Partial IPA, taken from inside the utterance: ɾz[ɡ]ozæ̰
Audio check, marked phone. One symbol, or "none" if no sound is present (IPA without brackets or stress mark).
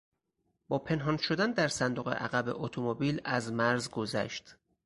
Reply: ɡ